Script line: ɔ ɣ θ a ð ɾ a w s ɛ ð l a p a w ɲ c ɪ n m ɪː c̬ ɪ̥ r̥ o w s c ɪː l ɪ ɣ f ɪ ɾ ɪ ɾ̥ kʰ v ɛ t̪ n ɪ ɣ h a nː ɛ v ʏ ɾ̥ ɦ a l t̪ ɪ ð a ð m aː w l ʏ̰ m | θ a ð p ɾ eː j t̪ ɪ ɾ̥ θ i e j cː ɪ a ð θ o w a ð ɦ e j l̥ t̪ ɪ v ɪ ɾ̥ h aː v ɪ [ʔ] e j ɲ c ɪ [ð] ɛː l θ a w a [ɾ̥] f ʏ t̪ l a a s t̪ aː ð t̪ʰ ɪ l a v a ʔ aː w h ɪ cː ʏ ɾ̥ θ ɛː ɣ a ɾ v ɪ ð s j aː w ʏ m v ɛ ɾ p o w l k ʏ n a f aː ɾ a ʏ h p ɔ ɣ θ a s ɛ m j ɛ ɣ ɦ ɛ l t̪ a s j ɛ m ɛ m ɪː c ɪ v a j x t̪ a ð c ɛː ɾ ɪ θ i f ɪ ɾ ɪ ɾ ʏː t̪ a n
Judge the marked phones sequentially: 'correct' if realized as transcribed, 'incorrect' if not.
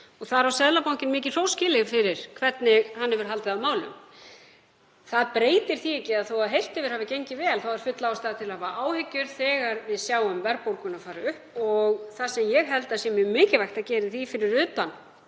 incorrect, incorrect, correct

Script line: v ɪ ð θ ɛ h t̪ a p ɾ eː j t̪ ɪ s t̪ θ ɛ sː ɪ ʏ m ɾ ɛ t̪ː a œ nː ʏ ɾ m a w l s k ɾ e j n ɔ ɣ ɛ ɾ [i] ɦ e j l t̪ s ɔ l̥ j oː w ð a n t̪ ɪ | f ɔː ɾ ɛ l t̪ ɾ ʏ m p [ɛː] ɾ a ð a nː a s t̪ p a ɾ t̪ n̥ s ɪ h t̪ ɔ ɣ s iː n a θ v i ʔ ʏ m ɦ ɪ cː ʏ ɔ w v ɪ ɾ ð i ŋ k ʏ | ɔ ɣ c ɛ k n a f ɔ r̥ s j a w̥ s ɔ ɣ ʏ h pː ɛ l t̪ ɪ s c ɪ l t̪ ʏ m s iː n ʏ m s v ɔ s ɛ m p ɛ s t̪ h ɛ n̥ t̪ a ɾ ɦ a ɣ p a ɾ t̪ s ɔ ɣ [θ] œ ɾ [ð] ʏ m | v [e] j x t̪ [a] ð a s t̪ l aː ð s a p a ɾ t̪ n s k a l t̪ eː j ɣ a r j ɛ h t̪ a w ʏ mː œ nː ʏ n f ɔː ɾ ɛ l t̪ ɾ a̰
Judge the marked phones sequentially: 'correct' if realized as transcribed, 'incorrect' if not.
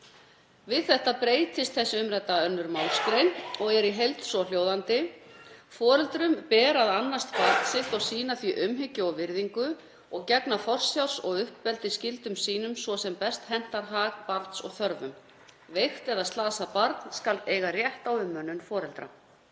correct, correct, correct, incorrect, correct, incorrect

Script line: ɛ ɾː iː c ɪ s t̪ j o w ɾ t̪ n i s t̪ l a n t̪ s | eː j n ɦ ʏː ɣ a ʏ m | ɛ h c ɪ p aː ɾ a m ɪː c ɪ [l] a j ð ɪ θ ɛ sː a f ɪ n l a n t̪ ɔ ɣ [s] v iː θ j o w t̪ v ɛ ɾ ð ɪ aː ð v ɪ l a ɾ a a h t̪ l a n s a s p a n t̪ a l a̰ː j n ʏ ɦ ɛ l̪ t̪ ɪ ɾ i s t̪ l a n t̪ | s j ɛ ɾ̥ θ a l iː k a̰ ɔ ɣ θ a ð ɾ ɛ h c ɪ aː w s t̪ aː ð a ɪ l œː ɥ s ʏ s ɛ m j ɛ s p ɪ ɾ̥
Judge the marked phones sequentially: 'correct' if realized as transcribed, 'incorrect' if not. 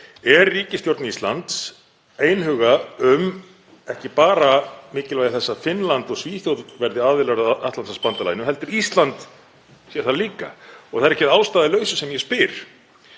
correct, correct

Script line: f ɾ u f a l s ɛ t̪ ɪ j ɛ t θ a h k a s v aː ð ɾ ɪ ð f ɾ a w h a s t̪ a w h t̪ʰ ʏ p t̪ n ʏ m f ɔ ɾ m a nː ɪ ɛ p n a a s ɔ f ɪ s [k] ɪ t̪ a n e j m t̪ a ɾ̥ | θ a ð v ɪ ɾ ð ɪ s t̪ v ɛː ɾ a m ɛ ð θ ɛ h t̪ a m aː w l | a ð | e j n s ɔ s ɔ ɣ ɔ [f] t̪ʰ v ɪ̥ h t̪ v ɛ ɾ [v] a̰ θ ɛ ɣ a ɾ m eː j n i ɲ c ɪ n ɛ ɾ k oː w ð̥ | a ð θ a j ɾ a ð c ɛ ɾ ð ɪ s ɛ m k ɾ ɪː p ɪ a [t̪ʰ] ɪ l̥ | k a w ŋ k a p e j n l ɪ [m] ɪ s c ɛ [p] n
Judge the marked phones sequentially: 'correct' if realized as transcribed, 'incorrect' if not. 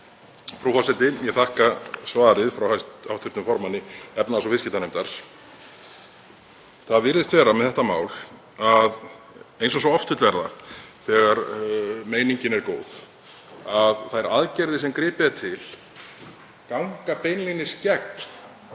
incorrect, correct, incorrect, correct, incorrect, incorrect

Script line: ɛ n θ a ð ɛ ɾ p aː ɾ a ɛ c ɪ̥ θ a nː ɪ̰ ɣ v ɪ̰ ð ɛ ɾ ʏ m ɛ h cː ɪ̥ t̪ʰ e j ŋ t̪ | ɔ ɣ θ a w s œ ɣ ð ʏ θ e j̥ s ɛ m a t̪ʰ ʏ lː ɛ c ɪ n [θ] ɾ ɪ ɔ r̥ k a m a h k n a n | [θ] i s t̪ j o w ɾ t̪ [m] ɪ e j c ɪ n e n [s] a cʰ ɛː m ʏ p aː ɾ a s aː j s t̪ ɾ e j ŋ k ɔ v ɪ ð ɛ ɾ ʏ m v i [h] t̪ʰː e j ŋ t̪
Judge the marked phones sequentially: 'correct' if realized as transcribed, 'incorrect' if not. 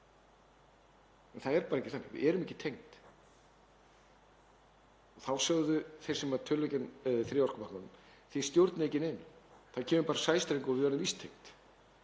correct, correct, incorrect, incorrect, incorrect

